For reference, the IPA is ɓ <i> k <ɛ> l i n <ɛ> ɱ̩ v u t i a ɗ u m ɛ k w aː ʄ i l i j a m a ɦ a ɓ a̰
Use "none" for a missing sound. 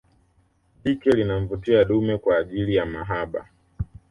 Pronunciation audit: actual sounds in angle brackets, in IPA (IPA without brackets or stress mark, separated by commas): i, ɛ, a